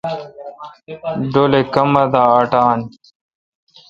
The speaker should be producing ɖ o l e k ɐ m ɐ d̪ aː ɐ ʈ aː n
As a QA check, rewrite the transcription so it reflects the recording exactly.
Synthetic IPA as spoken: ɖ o l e k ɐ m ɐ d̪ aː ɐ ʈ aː n